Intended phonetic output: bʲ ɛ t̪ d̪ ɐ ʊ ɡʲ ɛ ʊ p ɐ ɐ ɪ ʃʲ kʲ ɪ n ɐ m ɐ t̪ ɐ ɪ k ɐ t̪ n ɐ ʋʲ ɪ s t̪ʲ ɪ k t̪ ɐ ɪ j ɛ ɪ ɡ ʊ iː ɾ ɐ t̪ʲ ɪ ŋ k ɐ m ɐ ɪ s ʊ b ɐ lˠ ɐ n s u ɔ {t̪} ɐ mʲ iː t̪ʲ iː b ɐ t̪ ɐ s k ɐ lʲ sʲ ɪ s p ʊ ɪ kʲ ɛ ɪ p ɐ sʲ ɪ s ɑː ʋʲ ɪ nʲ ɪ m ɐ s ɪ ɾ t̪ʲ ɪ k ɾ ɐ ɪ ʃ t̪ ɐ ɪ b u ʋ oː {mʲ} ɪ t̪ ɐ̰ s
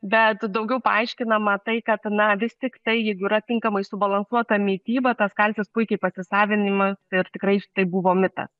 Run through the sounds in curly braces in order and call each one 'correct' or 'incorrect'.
correct, correct

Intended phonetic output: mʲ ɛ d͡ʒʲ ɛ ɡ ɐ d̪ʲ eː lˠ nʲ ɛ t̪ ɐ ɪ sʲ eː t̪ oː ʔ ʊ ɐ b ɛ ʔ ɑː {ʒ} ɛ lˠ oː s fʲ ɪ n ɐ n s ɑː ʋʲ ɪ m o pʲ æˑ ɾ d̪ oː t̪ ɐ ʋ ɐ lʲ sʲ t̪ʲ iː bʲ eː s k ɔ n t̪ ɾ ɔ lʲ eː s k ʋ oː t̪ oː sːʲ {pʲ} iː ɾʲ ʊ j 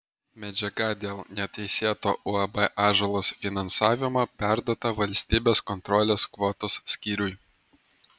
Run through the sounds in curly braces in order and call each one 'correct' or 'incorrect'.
correct, incorrect: kʲ

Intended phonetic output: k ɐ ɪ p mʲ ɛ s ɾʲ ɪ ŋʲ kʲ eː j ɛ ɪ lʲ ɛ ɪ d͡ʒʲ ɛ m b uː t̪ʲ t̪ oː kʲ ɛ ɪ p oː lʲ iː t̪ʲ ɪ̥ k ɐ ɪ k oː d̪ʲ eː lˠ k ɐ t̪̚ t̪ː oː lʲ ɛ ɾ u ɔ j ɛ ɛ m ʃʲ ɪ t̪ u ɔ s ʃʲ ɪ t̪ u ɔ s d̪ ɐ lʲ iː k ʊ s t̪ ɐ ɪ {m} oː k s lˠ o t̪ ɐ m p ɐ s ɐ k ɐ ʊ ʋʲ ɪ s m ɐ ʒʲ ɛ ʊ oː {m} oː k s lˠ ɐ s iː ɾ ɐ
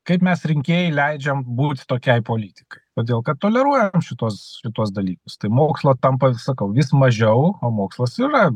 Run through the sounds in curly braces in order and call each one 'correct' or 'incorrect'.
correct, correct

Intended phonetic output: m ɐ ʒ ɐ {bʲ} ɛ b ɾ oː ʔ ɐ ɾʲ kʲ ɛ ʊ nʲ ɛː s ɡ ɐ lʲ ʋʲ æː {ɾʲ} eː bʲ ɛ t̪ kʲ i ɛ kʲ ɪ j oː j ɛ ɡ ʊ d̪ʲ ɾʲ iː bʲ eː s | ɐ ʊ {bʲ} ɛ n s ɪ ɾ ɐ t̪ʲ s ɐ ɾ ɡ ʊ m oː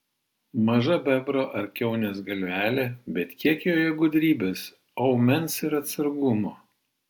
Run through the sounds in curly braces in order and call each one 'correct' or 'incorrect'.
correct, incorrect: lʲ, incorrect: mʲ

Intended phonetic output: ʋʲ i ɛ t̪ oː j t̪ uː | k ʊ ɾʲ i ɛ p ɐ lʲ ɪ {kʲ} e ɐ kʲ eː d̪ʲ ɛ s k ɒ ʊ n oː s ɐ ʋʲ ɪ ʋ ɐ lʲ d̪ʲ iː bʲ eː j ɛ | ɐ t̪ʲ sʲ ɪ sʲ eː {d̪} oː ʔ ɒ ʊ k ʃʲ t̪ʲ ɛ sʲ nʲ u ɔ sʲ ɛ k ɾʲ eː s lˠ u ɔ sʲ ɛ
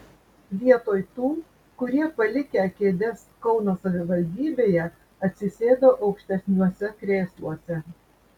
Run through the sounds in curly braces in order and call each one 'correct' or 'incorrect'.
correct, correct

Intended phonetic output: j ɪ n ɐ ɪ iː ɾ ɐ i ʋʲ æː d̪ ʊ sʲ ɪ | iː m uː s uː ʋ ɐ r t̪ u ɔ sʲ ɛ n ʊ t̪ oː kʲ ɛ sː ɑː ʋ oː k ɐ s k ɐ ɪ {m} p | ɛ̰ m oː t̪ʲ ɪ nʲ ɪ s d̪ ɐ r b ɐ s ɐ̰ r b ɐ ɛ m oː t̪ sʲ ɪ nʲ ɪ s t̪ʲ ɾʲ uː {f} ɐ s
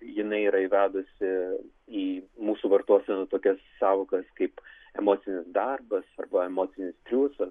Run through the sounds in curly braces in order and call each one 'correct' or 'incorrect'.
incorrect: none, incorrect: s

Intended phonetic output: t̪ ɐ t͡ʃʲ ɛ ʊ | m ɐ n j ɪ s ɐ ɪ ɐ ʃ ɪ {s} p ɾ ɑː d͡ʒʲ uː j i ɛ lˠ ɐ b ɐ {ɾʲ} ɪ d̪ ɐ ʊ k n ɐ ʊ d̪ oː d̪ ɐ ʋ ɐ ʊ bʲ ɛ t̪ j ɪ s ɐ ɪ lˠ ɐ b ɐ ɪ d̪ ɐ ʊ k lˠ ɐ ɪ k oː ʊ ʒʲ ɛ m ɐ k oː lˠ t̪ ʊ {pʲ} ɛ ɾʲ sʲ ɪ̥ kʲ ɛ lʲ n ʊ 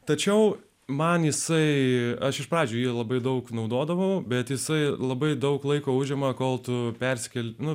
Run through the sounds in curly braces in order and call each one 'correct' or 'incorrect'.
incorrect: ʃ, incorrect: none, correct

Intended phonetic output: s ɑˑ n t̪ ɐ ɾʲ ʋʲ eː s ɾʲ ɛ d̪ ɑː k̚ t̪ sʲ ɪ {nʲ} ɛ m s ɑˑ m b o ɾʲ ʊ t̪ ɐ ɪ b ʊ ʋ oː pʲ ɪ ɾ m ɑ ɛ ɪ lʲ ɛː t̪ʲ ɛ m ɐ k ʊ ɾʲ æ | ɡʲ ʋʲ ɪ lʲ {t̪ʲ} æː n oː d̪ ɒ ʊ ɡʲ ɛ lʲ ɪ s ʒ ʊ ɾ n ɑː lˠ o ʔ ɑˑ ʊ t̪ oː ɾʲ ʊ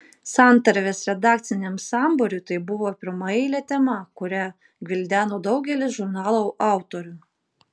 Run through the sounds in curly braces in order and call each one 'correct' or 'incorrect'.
correct, incorrect: d̪ʲ

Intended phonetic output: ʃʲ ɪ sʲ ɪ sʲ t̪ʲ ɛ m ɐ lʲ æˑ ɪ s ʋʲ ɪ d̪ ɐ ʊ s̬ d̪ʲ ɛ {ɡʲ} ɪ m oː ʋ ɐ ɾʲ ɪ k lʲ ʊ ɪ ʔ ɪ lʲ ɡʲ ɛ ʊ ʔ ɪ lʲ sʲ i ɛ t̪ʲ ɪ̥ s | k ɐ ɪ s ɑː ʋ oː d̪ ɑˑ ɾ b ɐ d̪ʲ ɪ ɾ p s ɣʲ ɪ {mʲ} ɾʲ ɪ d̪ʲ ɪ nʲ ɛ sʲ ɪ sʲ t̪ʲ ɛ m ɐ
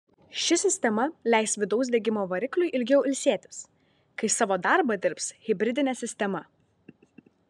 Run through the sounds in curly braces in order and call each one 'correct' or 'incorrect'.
correct, incorrect: bʲ

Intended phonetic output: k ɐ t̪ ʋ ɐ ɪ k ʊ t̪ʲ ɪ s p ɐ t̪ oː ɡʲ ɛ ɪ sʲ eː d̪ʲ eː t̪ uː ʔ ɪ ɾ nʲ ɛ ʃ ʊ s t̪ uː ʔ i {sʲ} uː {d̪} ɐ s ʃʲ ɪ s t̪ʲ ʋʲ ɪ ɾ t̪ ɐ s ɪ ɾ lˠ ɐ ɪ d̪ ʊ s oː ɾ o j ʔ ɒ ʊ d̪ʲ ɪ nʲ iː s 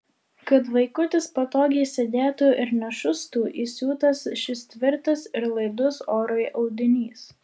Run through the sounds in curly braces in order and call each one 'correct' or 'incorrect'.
correct, incorrect: t̪

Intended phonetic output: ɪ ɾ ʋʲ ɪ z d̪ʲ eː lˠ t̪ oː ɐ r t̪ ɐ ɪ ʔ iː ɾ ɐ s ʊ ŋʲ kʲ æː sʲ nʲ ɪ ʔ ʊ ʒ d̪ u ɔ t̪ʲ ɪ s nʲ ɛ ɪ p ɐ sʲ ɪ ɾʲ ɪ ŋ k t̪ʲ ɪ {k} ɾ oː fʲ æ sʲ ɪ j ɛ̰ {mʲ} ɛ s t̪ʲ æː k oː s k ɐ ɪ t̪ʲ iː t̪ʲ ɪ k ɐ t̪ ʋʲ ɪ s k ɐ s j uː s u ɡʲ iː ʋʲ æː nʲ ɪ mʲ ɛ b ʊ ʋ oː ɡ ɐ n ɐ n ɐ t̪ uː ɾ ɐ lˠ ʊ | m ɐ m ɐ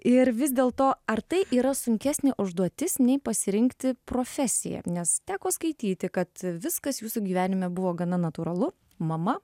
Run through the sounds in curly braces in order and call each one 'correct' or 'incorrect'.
incorrect: p, incorrect: nʲ

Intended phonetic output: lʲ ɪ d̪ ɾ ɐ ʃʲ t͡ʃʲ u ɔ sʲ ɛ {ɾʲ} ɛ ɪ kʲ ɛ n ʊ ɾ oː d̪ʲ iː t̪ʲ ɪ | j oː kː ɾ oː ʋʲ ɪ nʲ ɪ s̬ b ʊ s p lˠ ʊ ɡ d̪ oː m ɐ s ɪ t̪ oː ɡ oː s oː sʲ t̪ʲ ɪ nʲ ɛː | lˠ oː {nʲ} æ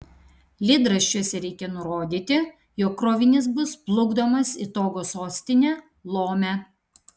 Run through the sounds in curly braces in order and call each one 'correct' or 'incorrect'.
correct, incorrect: mʲ

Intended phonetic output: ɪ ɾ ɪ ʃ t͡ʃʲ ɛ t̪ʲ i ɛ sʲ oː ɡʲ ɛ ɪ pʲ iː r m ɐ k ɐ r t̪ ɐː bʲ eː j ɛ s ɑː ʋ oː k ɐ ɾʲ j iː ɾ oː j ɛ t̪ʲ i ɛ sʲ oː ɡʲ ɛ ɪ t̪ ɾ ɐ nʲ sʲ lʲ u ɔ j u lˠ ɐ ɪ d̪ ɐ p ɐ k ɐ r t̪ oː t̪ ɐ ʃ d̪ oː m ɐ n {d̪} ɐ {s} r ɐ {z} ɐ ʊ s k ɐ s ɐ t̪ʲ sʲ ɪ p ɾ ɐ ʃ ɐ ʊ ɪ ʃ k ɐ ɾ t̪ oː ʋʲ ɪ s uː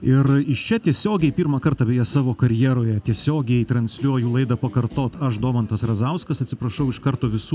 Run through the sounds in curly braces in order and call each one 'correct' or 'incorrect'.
incorrect: t̪, correct, correct

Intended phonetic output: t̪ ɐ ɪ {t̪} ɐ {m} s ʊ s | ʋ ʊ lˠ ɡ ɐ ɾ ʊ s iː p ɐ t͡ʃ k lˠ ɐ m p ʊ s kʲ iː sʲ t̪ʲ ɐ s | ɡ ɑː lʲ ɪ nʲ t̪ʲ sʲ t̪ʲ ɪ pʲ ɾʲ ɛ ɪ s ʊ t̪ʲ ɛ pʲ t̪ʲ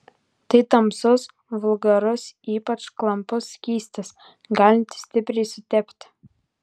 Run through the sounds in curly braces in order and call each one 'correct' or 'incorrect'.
correct, correct

